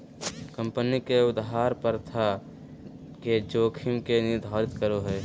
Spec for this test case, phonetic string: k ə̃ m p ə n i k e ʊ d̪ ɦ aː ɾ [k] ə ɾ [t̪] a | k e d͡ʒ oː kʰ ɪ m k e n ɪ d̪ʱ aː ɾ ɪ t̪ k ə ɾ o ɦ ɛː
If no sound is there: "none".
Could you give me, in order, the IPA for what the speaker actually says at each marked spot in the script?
p, t̪ʰ

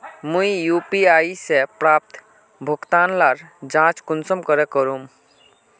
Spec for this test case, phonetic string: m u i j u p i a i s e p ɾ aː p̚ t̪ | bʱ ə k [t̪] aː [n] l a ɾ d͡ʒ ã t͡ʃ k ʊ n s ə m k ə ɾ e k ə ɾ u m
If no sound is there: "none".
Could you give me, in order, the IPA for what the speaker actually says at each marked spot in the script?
t̪, n

